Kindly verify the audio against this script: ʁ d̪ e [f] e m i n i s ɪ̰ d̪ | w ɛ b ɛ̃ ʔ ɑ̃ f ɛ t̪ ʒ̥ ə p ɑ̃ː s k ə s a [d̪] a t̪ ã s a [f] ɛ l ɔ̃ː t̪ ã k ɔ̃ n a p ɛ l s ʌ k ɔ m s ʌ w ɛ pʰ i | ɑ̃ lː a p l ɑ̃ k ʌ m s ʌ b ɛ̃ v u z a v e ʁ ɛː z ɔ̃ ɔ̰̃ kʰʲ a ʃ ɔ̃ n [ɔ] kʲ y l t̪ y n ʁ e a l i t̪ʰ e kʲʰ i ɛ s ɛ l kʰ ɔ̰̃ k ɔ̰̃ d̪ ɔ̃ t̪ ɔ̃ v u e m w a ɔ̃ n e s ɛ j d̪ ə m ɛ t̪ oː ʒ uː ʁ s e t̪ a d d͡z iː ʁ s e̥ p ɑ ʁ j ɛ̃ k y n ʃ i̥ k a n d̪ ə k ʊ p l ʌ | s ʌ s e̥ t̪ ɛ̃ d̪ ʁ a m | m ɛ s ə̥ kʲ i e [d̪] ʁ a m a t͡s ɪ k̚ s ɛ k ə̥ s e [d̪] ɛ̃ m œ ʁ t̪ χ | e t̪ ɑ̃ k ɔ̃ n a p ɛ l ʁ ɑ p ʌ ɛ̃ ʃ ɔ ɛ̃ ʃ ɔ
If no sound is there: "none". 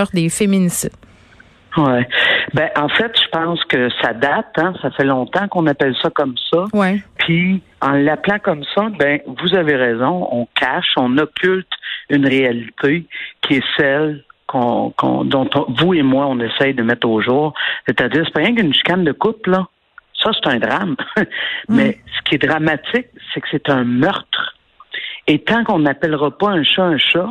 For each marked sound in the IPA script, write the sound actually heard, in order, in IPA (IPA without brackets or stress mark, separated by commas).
f, d̪, f, ɔ, d̪, t̪